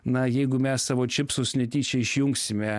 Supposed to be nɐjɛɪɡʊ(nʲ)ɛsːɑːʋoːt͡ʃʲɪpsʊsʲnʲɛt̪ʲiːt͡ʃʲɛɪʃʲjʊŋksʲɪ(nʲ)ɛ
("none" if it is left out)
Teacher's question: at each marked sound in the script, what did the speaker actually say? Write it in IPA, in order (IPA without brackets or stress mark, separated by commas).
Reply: mʲ, mʲ